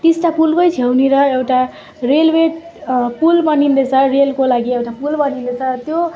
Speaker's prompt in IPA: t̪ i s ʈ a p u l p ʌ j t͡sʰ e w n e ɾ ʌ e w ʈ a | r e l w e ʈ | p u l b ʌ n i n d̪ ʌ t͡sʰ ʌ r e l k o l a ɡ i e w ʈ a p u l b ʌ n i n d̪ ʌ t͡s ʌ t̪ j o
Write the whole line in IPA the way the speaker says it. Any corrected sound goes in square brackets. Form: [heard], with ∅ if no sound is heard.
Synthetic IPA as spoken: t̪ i s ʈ a p u l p ʌ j t͡sʰ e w n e ɾ ʌ e w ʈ a | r e l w e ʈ | p u l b ʌ n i n d̪ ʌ t͡sʰ ʌ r e l k o l a ɡ i e w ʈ a p u l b ʌ n i n d̪ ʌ [t͡sʰ] ʌ t̪ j o